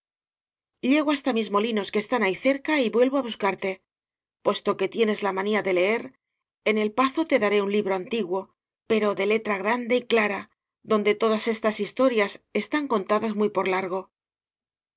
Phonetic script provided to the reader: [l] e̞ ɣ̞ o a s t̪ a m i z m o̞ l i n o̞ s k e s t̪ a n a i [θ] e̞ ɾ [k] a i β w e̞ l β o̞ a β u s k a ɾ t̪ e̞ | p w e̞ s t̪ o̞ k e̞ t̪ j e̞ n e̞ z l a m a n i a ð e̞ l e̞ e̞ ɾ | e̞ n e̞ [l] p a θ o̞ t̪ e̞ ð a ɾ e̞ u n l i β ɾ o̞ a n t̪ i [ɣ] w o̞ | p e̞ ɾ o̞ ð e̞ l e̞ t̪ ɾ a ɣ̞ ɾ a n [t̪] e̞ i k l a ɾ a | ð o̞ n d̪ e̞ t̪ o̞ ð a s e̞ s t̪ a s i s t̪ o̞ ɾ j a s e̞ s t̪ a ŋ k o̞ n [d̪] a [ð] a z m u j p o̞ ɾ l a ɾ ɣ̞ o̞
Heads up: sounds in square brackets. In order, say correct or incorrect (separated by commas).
incorrect, correct, correct, correct, correct, incorrect, incorrect, correct